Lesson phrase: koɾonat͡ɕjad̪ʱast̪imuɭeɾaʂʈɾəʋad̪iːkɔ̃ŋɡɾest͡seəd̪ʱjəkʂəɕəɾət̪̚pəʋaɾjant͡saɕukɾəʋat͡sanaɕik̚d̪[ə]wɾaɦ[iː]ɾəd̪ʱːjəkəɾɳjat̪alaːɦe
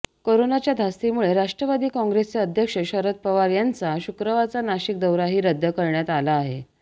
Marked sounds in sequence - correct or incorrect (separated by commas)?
correct, correct